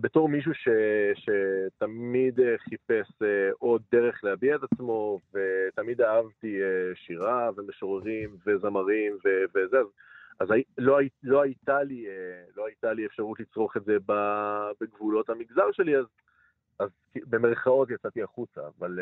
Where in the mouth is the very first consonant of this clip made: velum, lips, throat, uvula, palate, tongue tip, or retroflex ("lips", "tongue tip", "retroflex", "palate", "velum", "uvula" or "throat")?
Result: lips